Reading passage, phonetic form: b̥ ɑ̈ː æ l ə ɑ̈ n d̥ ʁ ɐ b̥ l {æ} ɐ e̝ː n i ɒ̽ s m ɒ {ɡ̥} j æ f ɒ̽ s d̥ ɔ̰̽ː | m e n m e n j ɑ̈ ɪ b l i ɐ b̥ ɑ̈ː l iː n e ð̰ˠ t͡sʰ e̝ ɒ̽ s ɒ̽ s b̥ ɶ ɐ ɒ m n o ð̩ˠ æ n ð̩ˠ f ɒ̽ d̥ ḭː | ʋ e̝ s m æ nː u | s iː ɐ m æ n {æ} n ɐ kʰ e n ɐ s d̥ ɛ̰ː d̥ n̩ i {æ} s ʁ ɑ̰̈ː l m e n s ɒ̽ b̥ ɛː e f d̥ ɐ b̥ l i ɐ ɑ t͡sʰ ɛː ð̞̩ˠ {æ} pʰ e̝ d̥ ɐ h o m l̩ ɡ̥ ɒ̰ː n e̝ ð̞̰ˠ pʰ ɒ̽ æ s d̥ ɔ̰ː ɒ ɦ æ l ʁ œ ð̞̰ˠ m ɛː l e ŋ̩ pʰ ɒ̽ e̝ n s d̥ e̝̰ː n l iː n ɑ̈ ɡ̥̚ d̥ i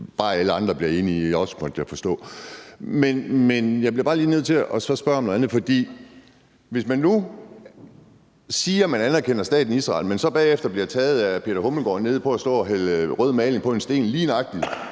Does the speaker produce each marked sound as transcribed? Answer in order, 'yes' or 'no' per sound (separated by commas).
no, no, yes, no, yes